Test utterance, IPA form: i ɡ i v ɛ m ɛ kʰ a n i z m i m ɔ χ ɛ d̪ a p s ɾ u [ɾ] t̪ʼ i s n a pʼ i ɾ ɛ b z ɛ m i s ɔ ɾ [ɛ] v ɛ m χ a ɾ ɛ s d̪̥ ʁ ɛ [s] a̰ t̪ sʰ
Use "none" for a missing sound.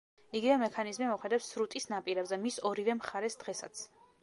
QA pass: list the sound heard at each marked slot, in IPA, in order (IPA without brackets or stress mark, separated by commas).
none, i, s